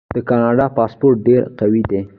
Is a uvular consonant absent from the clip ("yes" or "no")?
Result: no